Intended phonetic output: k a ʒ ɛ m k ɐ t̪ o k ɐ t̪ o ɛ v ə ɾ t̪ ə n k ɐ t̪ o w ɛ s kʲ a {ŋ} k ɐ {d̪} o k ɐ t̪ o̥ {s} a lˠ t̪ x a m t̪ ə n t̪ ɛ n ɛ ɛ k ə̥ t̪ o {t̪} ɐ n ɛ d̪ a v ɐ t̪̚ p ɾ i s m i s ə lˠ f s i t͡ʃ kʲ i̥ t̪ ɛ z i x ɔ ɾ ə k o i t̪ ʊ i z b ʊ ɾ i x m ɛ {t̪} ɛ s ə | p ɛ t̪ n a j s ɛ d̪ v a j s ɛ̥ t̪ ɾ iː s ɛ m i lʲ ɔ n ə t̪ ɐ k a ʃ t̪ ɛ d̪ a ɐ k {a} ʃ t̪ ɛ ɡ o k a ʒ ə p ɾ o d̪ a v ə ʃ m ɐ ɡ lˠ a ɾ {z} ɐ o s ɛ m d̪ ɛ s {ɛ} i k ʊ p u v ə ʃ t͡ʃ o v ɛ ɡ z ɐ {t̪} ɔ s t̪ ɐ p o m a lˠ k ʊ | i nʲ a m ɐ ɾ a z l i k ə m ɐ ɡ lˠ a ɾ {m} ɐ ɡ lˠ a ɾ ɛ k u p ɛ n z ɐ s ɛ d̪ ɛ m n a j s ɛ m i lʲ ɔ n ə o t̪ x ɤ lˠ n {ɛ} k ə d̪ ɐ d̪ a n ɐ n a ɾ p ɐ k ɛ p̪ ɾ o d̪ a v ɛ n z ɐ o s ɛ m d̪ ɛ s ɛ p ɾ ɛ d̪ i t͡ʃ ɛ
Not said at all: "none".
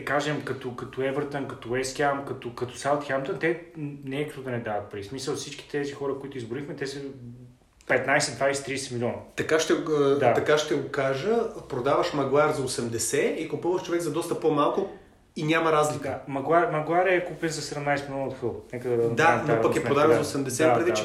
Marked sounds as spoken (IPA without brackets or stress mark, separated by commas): m, t̪, s, d̪, t̪, a, z, ɛ, d̪, m, ɛ